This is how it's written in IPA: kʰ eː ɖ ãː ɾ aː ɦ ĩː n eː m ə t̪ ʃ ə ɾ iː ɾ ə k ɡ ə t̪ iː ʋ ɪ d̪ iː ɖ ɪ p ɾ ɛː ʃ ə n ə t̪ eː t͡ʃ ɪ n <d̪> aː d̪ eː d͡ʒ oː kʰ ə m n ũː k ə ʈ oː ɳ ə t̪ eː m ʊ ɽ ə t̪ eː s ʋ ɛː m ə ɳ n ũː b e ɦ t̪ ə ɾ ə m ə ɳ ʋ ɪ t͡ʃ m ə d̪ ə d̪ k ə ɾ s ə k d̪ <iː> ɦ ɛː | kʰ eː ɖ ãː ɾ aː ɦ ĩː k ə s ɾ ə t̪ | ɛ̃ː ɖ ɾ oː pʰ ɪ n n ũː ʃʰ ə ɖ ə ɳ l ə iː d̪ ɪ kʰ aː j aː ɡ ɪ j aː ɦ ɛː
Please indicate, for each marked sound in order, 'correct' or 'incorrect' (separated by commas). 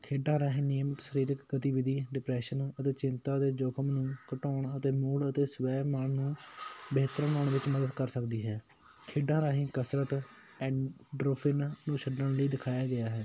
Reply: incorrect, correct